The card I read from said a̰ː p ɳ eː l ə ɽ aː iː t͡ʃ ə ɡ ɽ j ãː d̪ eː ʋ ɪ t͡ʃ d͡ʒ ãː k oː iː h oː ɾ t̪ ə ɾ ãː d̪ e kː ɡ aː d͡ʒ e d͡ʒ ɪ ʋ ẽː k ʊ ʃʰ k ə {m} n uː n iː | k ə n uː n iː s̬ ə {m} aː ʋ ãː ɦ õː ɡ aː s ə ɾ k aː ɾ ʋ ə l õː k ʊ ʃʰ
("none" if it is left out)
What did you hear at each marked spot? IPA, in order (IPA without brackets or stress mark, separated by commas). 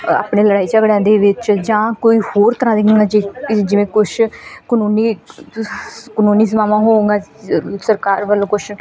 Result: none, m